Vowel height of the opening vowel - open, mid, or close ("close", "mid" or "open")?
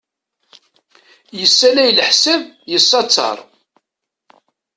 mid